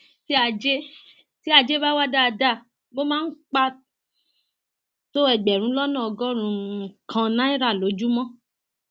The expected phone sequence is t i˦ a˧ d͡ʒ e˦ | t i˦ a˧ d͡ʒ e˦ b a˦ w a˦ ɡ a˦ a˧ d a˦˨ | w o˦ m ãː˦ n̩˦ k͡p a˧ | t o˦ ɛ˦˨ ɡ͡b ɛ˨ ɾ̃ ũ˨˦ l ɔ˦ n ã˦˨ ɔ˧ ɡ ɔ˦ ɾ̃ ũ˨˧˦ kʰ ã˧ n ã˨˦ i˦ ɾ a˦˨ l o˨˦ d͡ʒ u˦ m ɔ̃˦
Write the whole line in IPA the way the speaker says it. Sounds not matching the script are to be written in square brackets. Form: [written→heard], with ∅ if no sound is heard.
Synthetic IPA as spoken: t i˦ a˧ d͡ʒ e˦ | t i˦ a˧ d͡ʒ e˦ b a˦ w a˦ [ɡ→d] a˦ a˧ d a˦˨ | [w→b] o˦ m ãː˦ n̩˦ k͡p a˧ | t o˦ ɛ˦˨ ɡ͡b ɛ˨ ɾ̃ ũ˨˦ l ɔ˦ n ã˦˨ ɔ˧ ɡ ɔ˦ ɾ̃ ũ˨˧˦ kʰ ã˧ n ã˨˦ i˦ ɾ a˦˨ l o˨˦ d͡ʒ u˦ m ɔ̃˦